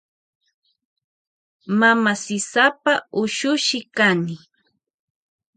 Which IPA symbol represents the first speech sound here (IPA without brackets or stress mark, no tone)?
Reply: m